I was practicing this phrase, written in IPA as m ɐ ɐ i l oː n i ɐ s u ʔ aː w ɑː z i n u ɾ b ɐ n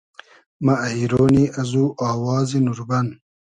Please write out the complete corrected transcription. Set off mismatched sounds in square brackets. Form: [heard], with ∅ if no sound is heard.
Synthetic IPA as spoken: m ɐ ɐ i [ɾ] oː n i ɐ [z] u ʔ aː w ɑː z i n u ɾ b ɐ n